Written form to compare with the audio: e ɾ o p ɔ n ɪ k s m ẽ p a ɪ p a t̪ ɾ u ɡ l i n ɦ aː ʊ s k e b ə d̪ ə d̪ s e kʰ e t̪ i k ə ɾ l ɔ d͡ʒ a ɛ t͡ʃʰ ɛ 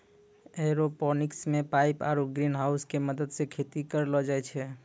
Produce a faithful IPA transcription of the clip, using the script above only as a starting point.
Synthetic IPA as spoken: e ɾ o p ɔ n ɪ k s m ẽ p a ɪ p a ɾ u ɡ ɾ i n ɦ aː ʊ s k e m ə d̪ ə d̪ s e kʰ e t̪ i k ə ɾ l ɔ d͡ʒ a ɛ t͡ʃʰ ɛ